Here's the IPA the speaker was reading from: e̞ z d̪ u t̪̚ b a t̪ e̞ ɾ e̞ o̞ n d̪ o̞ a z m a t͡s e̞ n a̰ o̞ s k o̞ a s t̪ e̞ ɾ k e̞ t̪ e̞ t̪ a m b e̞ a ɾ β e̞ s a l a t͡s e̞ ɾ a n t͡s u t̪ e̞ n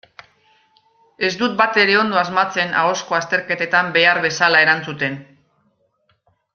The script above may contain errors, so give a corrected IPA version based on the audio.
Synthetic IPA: e̞ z d̪ u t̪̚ b a t̪ e̞ ɾ e̞ o̞ n d̪ o̞ a z m a t͡s e̞ n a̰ o̞ s k o̞ a s t̪ e̞ ɾ k e̞ t̪ e̞ t̪ a m b e̞ a ɾ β e̞ s a l a e̞ ɾ a n t͡s u t̪ e̞ n